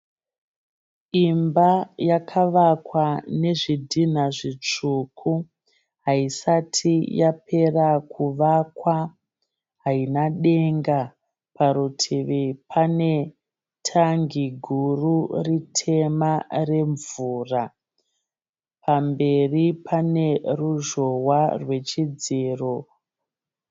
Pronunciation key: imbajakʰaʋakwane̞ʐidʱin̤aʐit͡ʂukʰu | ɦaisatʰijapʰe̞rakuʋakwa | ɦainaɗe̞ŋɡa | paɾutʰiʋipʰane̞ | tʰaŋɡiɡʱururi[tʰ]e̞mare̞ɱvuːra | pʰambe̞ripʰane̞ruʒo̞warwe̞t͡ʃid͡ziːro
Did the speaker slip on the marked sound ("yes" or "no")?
no